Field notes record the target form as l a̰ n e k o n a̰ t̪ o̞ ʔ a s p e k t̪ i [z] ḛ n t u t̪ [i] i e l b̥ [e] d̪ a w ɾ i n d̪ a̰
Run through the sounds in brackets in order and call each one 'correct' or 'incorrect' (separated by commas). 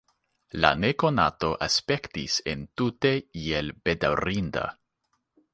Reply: incorrect, incorrect, correct